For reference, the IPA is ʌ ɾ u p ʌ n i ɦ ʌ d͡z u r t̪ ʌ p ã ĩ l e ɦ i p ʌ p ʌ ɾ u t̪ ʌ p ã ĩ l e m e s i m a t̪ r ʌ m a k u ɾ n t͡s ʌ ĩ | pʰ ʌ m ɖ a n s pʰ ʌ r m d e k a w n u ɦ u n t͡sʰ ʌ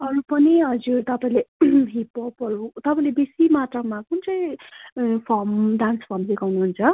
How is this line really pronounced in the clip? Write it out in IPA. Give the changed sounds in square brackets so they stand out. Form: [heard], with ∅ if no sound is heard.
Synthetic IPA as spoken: ʌ ɾ u p ʌ n i ɦ ʌ d͡z u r t̪ ʌ p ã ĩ l e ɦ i p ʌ p ʌ ɾ u t̪ ʌ p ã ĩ l e [b] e s i m a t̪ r ʌ m a k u [∅] n t͡s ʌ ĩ | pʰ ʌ m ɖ a n s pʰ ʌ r m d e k a w n u ɦ u n t͡sʰ ʌ